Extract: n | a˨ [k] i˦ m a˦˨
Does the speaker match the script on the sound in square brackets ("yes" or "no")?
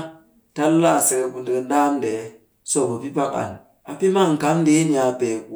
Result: no